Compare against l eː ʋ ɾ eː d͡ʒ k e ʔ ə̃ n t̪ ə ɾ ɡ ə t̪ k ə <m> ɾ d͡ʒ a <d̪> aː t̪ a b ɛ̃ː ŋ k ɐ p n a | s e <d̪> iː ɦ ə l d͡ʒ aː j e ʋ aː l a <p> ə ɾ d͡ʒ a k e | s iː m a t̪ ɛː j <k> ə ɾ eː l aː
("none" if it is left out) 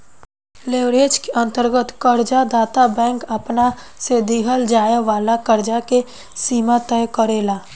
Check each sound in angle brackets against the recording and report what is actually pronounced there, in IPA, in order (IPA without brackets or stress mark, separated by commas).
none, d̪, d̪, k, k